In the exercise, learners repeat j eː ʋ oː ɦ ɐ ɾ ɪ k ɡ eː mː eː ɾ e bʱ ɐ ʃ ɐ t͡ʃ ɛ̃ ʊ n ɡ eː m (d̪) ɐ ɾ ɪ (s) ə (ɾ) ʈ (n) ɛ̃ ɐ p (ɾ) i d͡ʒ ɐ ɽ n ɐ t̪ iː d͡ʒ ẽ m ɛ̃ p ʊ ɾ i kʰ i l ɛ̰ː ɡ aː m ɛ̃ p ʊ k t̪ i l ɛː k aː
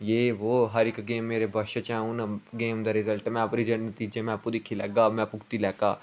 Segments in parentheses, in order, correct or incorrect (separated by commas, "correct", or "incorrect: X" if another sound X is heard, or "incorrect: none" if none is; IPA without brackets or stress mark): correct, incorrect: z, incorrect: l, incorrect: m, correct